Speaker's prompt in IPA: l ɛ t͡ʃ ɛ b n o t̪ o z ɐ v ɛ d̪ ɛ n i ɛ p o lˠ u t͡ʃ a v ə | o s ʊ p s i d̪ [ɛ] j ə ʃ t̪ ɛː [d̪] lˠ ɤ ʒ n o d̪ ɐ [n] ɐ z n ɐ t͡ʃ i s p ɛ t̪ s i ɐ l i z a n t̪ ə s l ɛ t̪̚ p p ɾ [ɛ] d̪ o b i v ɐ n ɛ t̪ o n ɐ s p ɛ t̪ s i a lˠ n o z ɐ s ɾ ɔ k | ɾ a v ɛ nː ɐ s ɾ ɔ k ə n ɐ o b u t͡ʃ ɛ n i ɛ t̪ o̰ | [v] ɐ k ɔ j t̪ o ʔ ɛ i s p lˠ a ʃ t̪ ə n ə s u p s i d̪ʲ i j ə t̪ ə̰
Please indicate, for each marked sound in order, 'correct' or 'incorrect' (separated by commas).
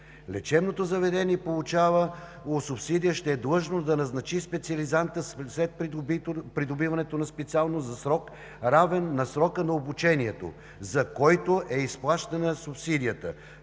incorrect, correct, correct, incorrect, incorrect